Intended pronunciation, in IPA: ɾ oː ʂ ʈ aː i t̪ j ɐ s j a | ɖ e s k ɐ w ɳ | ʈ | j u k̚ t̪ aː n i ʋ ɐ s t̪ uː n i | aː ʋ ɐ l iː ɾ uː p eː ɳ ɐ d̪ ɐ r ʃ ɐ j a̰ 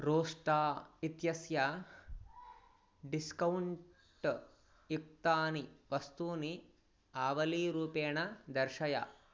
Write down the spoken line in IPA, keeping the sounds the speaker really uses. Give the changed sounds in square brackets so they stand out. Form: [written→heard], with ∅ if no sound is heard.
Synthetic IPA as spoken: ɾ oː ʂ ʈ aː i t̪ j ɐ s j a | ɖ [e→i] s k ɐ w ɳ | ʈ | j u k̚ t̪ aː n i ʋ ɐ s t̪ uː n i | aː ʋ ɐ l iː ɾ uː p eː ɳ ɐ d̪ ɐ [r→ɾ] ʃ ɐ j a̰